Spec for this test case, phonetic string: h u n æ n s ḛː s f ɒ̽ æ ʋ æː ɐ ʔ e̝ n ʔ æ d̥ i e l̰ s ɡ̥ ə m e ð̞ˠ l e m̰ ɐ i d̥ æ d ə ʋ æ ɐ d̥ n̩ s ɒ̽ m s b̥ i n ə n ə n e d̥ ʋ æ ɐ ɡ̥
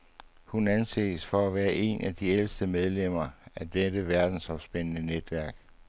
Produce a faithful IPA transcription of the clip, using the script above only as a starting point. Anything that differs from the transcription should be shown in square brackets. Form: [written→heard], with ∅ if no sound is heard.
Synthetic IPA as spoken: h u n æ n s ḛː s f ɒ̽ æ ʋ æː ɐ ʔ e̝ n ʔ æ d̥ i e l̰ s [ɡ̥→d̥] ə m e ð̞ˠ l e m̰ ɐ [i→æ] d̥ [æ→e] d ə ʋ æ ɐ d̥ n̩ s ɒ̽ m s b̥ [i→e] n ə n ə n e d̥ ʋ æ ɐ ɡ̥